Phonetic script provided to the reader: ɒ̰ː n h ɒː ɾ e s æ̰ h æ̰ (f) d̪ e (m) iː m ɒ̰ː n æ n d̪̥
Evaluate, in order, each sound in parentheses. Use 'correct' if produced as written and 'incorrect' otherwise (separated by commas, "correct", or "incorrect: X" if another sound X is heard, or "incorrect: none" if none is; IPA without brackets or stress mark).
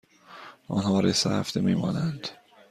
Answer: correct, correct